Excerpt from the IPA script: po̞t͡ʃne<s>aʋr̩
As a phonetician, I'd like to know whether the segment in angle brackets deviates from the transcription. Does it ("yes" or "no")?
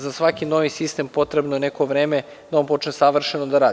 no